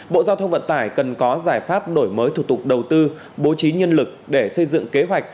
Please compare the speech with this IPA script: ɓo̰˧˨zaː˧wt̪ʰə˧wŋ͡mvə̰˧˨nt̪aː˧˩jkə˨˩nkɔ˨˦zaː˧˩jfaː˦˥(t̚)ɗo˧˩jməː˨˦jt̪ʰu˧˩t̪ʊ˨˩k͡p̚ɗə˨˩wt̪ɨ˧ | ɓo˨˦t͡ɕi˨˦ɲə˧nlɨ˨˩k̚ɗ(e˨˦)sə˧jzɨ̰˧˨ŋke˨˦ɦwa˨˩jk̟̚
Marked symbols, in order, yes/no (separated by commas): no, no